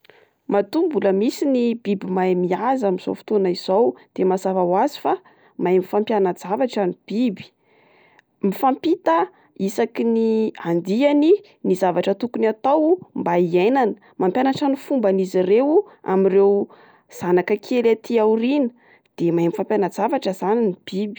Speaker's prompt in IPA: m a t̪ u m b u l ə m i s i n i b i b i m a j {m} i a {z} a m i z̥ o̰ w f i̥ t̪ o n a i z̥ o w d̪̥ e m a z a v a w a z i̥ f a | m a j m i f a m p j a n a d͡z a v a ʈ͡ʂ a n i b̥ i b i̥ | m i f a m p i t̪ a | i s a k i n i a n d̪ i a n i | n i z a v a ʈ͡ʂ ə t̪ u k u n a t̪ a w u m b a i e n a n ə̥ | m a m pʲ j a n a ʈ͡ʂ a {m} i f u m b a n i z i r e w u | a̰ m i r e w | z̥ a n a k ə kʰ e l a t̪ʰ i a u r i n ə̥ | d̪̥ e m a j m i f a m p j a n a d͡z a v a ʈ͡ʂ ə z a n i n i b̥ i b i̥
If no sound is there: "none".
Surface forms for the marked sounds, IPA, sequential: m, z, n

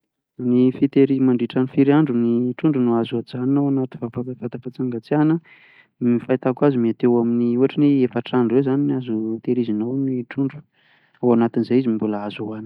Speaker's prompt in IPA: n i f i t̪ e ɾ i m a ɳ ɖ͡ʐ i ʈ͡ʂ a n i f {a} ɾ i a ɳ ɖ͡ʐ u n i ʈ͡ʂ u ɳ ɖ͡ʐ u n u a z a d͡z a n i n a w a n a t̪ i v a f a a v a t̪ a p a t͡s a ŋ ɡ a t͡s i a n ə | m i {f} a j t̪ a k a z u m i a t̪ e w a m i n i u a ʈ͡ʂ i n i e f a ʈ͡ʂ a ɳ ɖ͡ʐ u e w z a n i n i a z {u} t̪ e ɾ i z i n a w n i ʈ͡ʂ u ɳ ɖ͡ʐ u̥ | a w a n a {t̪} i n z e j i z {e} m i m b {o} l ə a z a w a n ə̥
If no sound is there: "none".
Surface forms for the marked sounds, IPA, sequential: i, f, u, t̪, i, u

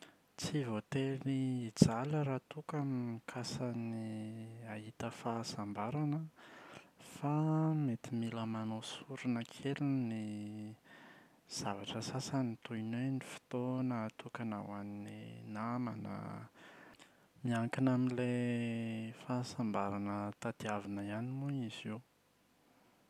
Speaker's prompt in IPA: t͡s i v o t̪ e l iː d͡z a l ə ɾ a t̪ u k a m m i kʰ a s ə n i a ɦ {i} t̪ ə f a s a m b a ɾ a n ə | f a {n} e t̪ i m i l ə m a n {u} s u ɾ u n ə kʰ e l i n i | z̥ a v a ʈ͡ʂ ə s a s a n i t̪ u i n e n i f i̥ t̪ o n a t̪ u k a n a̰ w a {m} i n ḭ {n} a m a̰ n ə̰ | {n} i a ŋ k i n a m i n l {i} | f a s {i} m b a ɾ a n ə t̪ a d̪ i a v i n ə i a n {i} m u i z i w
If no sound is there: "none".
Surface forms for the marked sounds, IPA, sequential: i, m, o, n, n, m, e, a, i

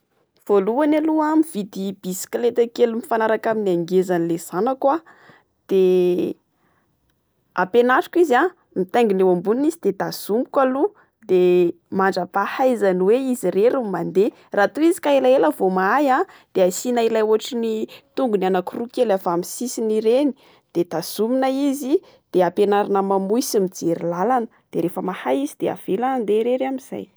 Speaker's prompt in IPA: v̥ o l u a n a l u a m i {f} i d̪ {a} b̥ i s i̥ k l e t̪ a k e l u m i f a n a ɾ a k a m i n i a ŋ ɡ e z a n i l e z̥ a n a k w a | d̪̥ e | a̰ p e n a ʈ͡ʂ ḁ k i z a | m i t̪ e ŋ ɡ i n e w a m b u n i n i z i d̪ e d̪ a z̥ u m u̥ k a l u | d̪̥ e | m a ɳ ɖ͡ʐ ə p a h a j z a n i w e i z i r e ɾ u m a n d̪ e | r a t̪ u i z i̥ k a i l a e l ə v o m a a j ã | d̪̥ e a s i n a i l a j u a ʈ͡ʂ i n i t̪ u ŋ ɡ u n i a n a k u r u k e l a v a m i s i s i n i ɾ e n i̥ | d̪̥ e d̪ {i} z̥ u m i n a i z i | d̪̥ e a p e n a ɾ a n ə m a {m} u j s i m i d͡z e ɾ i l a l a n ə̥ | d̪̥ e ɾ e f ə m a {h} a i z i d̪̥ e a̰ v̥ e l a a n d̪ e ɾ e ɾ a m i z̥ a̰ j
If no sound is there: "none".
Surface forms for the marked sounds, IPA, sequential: v, i, a, m, h

